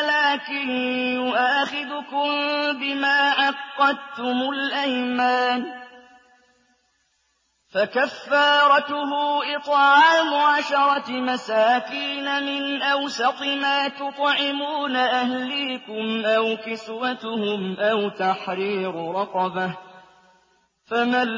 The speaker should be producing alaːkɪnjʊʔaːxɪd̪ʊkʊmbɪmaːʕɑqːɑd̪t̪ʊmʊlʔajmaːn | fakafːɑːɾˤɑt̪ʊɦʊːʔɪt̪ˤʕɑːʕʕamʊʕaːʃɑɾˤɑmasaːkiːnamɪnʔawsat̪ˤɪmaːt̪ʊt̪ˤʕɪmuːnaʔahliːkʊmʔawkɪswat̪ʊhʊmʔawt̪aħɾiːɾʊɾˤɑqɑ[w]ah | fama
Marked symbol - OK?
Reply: no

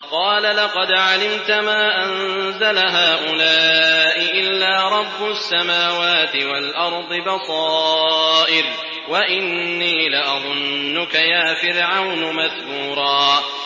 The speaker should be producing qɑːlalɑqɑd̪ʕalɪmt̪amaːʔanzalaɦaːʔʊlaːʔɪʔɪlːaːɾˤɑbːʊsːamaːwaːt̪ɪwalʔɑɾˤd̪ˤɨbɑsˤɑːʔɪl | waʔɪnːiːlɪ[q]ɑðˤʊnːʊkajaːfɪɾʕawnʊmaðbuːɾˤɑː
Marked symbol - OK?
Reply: no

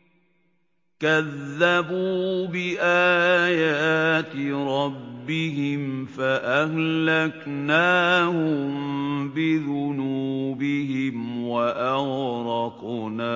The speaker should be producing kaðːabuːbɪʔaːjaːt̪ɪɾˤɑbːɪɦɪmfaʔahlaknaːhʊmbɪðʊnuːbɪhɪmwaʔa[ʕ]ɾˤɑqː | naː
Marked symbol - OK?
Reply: no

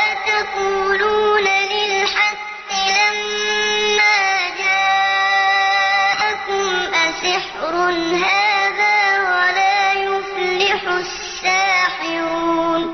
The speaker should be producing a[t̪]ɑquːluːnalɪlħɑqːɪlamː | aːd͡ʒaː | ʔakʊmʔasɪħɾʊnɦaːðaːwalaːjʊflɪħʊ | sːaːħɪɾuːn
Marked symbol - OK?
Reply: yes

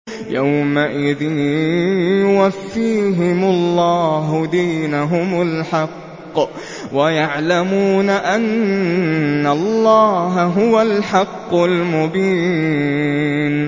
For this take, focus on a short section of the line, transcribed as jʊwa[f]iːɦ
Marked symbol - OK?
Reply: no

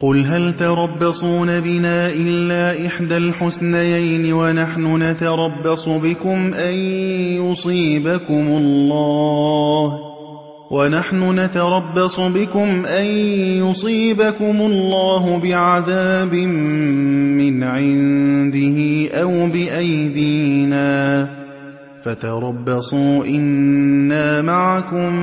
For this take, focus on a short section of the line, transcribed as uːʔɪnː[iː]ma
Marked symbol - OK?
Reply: no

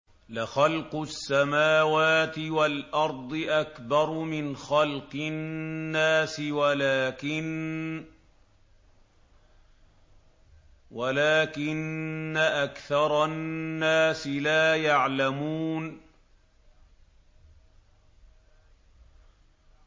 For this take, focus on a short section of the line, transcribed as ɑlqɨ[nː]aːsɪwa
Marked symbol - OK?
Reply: yes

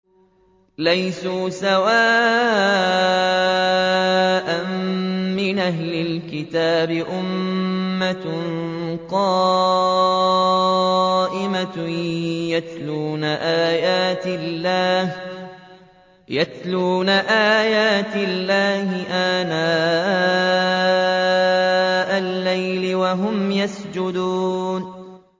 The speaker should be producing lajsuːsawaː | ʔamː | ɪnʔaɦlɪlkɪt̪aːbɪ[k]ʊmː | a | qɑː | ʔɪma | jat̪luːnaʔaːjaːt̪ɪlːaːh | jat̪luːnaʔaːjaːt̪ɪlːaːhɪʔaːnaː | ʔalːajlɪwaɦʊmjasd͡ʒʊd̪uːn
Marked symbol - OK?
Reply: no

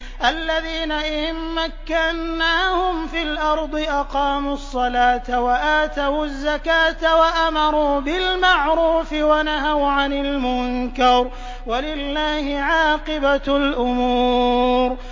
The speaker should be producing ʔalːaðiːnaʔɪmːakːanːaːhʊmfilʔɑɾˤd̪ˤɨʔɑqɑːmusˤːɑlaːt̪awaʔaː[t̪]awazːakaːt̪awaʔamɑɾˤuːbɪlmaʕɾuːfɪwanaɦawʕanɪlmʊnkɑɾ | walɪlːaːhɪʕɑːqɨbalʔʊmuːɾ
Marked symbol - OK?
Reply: yes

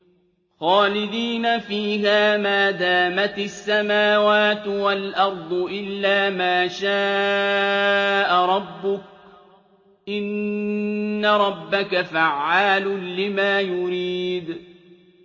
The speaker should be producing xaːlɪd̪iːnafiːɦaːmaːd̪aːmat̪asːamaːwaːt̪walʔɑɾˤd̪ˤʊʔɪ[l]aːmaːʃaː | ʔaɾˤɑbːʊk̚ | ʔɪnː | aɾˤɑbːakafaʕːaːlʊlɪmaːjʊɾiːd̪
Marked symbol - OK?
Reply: no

